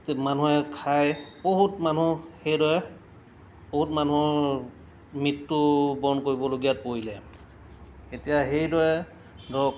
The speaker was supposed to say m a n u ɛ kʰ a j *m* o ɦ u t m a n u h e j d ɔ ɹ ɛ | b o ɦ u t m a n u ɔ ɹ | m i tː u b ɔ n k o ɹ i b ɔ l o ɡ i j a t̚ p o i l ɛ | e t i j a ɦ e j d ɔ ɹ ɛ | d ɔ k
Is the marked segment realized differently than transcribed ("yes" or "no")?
yes